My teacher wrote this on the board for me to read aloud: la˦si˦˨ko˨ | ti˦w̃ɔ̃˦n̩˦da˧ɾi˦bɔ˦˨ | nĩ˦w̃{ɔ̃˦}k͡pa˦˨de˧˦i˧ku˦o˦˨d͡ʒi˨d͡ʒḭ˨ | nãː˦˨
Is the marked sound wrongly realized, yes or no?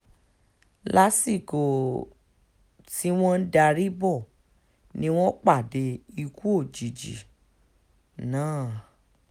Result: no